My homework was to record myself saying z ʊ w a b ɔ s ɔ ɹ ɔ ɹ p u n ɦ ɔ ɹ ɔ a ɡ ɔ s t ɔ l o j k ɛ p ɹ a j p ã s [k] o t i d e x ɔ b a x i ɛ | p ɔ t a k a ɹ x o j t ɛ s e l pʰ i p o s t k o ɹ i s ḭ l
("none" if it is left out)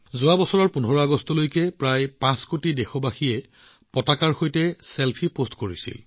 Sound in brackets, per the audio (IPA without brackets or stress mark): k